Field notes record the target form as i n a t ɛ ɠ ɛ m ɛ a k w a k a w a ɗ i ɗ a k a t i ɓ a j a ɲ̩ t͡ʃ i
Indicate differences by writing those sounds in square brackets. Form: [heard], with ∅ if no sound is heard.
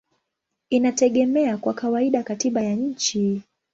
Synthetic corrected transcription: i n a t ɛ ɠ ɛ m ɛ a k w a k a w a [∅] i ɗ a k a t i ɓ a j a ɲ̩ t͡ʃ i

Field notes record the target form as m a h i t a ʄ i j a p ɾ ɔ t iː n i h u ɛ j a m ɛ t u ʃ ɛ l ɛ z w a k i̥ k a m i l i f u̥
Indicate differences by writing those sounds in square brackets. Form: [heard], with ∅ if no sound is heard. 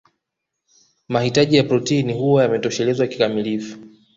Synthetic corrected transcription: m a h i t a ʄ i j a p ɾ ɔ t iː n i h u [a] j a m ɛ t [ɔ] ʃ ɛ l ɛ z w a k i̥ k a m i l i f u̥

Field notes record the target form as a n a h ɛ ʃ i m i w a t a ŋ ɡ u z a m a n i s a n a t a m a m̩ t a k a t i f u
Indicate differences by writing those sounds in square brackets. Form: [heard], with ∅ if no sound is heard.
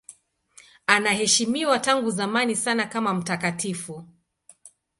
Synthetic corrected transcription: a n a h ɛ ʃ i m i w a t a ŋ ɡ u z a m a n i s a n a [k] a m a m̩ t a k a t i f u

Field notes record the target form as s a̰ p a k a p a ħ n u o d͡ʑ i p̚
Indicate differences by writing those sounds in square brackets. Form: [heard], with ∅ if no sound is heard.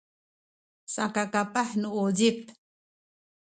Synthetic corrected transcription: s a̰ [k] a k a p a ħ n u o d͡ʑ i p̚

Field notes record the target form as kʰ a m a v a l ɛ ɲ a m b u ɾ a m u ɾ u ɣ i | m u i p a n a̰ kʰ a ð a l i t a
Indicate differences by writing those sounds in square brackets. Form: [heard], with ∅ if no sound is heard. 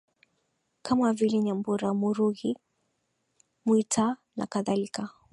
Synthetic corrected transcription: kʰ a m a v [i] l ɛ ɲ a m b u ɾ a m u ɾ u ɣ i | m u i [t] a n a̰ [k] a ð a l i [k] a

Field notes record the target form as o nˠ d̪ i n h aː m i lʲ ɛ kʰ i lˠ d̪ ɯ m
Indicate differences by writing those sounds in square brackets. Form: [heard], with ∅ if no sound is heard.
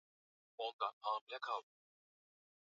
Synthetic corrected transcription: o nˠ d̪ [a] n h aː m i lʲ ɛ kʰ [a] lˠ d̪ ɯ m

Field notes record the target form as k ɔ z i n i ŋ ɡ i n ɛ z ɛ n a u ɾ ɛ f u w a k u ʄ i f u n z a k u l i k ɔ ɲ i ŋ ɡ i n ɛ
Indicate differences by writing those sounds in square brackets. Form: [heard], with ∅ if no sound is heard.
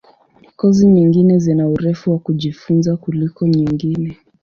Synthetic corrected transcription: k ɔ z i [ɲ] i ŋ ɡ i n ɛ z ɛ n a u ɾ ɛ f u w a k u ʄ i f u n z a k u l i k ɔ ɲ i ŋ ɡ i n ɛ

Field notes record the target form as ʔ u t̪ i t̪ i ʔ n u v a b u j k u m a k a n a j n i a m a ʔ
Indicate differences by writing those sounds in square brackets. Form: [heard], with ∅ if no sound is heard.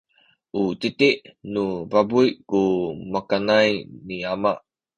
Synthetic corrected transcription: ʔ u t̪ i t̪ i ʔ n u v a b u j k u m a k a n a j n i a m a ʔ

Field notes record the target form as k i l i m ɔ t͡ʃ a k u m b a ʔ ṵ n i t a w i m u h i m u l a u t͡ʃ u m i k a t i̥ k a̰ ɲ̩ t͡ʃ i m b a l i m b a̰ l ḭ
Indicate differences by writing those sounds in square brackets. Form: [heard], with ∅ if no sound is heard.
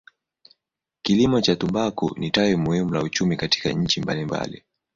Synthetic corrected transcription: k i l i m ɔ t͡ʃ a [t] u m b a [k] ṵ n i t a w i m u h i m u l a u t͡ʃ u m i k a t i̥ k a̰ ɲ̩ t͡ʃ i m b a l i m b a̰ l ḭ

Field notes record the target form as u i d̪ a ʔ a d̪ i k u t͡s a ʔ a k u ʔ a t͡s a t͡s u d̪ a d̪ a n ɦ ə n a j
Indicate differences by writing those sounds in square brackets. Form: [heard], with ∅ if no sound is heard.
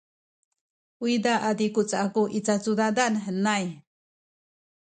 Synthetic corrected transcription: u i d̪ a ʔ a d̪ i k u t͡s a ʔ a k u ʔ [i] t͡s a t͡s u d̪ a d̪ a n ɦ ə n a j

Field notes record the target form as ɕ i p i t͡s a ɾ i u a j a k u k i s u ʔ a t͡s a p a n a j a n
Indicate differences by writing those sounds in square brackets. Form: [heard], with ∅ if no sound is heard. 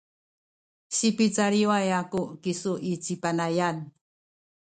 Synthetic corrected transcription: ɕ i p i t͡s a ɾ i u a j a k u k i s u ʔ [i] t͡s [i] p a n a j a n

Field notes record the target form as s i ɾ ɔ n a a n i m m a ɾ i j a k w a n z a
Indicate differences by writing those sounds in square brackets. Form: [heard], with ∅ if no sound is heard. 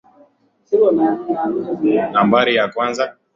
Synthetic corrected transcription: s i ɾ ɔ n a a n [a] m [b] a ɾ i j a k w a n z a

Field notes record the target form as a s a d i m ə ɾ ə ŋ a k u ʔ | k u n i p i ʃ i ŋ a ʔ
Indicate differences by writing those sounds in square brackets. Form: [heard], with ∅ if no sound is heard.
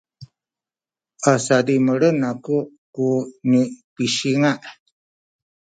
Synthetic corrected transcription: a s a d i m ə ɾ ə [n] a k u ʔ | k u n i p i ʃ i ŋ a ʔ

